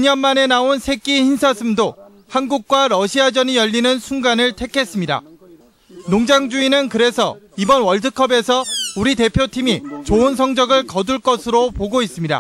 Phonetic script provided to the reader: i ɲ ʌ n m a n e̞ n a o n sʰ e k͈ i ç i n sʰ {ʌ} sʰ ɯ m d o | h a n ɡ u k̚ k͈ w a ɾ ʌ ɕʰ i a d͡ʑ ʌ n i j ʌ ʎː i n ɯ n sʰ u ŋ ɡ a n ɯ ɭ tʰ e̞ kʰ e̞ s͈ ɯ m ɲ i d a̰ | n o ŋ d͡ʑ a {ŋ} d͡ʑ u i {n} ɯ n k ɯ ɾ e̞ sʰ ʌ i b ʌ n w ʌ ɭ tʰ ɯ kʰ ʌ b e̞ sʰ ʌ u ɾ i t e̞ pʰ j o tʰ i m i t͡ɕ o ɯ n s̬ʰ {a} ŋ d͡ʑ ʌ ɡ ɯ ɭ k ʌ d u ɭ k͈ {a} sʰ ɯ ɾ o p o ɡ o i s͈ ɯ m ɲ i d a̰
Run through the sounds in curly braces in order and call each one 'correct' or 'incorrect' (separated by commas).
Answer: incorrect, correct, correct, incorrect, incorrect